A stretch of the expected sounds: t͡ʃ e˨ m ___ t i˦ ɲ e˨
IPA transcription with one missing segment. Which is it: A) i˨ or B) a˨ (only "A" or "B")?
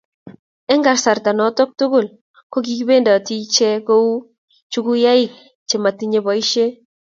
B